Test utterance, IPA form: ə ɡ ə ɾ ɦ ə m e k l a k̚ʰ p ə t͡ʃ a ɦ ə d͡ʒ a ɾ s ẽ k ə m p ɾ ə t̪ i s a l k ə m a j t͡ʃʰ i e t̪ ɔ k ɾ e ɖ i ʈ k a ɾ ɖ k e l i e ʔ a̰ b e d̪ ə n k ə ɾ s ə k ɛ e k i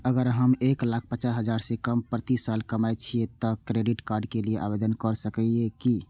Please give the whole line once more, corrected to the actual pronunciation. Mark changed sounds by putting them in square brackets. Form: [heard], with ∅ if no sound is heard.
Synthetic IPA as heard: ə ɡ ə ɾ ɦ ə m e k l a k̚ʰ p ə t͡ʃ a ɦ ə d͡ʒ a ɾ s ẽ k ə m p ɾ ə t̪ i s a l k ə m a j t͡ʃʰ i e t̪ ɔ k ɾ e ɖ i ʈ k a ɾ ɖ k e l i e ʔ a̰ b e d̪ ə n k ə ɾ s ə k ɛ e k i